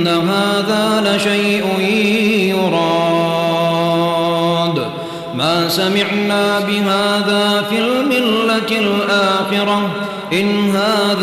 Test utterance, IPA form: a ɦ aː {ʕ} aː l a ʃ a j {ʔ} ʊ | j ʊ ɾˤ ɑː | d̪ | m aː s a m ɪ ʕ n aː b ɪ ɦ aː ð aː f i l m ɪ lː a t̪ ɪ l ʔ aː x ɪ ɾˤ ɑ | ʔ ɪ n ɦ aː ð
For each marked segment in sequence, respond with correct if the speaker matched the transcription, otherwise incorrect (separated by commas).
incorrect, correct